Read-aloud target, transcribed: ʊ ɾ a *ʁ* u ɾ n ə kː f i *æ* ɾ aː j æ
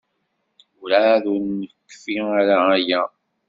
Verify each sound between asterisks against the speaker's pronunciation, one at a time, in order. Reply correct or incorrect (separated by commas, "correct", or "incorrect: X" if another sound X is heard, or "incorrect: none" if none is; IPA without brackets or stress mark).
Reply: incorrect: ð, incorrect: a